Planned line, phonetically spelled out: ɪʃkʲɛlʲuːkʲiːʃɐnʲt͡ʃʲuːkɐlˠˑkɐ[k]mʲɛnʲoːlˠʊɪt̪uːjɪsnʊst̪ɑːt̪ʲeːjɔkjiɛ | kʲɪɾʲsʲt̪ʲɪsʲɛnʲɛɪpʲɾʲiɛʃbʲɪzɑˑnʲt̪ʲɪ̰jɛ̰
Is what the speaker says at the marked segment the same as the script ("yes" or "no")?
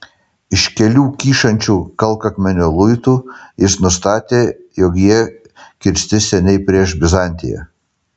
yes